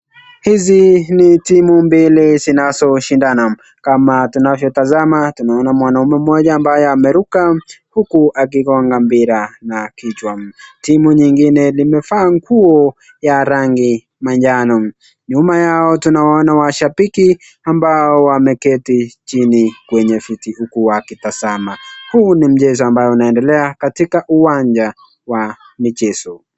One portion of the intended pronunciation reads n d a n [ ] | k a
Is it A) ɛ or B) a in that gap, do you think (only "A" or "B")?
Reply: B